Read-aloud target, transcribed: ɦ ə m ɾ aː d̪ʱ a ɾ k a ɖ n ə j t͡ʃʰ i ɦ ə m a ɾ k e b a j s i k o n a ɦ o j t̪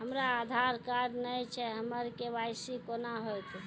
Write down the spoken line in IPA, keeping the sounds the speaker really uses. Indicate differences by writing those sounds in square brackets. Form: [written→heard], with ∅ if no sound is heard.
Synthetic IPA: ɦ ə m ɾ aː d̪ʱ a ɾ k a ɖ n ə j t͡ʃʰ [i→ɛ] ɦ ə m [a→ə] ɾ k e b a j s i k o n a ɦ o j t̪